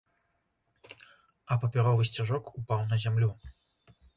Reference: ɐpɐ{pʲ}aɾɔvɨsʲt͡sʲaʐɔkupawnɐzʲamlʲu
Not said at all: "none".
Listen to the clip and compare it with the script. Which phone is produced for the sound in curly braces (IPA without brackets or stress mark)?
pʲ